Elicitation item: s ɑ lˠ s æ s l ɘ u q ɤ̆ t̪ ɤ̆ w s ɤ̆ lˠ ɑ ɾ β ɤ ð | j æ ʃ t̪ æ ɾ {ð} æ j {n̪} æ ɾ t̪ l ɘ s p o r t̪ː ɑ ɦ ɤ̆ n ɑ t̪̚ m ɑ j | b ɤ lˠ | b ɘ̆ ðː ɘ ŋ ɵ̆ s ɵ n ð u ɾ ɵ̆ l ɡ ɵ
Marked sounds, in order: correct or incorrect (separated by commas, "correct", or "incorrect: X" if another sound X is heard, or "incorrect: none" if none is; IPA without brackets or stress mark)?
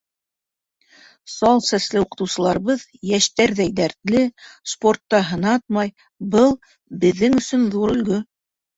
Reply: correct, incorrect: d̪